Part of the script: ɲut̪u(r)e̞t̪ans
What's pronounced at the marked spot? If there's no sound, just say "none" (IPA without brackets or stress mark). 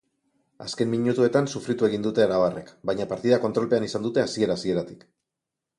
none